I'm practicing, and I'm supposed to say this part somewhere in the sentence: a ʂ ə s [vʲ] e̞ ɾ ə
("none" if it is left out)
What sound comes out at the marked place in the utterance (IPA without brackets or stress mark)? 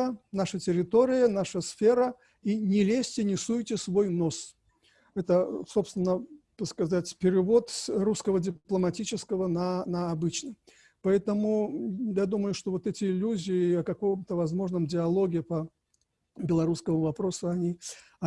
fʲ